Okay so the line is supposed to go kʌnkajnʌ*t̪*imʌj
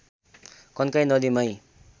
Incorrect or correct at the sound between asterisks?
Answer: incorrect: d̪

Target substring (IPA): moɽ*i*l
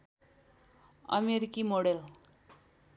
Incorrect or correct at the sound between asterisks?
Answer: incorrect: e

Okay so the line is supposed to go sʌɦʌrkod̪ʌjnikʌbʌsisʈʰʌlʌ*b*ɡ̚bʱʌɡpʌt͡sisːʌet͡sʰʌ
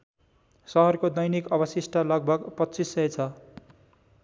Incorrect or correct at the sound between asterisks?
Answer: incorrect: none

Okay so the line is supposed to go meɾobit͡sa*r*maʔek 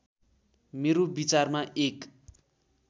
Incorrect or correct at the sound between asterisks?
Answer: correct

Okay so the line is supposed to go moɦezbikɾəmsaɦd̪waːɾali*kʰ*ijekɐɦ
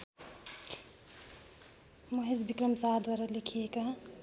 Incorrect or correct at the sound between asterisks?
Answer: correct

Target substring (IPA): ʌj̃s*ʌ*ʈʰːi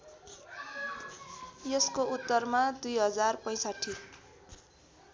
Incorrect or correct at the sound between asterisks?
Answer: incorrect: a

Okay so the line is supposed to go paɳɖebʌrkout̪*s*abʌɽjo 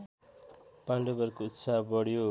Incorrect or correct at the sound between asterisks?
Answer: correct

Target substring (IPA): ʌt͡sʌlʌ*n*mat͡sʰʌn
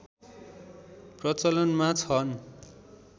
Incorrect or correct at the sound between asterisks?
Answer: correct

